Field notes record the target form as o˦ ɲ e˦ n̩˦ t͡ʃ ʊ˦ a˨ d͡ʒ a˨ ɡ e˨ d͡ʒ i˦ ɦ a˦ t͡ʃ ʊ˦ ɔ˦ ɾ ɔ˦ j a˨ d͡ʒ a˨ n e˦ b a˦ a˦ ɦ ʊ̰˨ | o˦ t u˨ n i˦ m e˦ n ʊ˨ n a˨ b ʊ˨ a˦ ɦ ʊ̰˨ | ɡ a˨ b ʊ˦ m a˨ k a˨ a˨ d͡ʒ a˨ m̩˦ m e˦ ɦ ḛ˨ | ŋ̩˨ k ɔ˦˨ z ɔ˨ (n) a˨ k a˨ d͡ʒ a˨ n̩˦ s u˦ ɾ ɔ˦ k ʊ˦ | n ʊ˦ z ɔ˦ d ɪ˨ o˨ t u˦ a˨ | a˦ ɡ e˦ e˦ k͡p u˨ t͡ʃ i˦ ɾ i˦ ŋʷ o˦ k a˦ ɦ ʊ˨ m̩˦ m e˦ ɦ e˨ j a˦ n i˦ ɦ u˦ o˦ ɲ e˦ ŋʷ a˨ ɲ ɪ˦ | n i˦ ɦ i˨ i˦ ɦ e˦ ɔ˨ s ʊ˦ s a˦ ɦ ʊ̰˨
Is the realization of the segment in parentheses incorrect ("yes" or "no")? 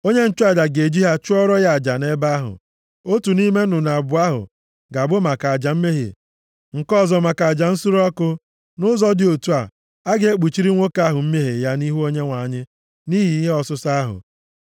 yes